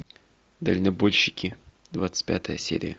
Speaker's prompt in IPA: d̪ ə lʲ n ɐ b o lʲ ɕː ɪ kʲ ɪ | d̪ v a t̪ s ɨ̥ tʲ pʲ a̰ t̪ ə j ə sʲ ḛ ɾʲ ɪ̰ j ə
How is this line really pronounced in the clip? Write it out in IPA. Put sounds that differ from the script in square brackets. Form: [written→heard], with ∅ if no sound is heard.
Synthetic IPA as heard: d̪ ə lʲ n ɐ b o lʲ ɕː ɪ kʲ ɪ | d̪ v a t̪ s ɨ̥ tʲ pʲ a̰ t̪ ə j ə sʲ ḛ ɾʲ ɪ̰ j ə